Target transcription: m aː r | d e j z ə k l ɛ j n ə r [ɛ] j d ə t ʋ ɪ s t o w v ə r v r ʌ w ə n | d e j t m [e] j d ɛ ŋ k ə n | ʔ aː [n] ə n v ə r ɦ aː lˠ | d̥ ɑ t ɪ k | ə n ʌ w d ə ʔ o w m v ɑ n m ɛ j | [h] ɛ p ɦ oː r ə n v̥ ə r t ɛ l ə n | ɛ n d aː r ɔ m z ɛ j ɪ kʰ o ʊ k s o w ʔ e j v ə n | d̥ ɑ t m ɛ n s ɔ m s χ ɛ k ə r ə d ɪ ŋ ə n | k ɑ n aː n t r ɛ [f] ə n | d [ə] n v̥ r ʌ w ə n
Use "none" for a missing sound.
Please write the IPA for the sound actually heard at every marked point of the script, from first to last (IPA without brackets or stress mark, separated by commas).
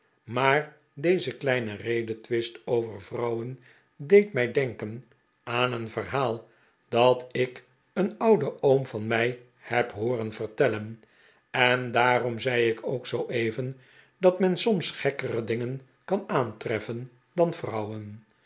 e, ɛ, n, h, f, ɑ